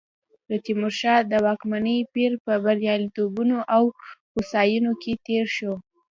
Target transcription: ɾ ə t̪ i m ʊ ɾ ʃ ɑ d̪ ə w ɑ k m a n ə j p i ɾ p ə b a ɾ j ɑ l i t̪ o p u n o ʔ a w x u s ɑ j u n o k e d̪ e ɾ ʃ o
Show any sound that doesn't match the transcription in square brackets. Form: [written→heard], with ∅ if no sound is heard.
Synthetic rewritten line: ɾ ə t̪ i m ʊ ɾ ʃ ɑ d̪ ə w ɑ k m a n ə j p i ɾ p ə b a ɾ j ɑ l i t̪ o [p→b] u n o ʔ a w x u s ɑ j u n o k e [d̪→t̪] e ɾ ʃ o